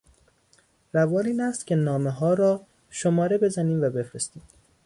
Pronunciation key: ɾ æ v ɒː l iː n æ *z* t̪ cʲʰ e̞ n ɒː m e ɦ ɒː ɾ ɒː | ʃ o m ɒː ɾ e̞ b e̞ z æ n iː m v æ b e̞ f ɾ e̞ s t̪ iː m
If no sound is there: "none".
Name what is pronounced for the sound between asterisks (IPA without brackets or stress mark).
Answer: s